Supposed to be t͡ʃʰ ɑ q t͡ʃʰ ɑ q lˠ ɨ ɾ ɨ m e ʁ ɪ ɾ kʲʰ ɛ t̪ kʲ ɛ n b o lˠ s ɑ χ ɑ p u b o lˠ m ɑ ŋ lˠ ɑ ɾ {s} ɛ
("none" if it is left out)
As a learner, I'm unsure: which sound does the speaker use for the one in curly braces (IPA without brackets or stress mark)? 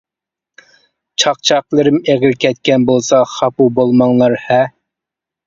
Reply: h